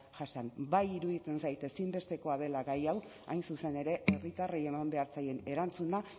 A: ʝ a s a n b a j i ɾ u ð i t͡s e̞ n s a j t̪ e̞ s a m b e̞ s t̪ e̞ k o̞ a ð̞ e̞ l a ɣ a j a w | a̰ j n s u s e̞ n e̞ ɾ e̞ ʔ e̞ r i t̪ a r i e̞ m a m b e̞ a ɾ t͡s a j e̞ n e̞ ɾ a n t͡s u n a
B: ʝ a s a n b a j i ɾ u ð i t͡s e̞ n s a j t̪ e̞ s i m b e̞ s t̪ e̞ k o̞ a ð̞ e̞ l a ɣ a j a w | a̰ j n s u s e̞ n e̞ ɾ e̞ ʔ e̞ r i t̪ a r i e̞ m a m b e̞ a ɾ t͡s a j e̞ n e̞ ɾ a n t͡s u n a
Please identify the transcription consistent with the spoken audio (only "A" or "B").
B